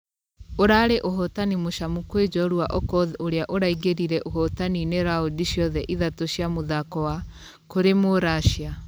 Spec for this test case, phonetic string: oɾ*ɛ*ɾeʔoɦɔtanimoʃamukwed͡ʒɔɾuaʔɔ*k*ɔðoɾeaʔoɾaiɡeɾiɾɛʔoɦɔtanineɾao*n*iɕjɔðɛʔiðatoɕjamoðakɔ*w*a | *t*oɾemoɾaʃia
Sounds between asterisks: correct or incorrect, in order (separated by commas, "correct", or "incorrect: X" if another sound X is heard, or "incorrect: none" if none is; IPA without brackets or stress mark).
incorrect: a, correct, incorrect: d, correct, incorrect: k